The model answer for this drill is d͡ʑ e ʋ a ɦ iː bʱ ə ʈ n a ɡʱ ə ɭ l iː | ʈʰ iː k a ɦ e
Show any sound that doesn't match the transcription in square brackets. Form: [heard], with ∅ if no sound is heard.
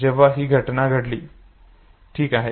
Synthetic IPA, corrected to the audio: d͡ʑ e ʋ a ɦ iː [ɡʱ] ə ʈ n a ɡʱ ə [ɽ] l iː | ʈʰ iː k a ɦ e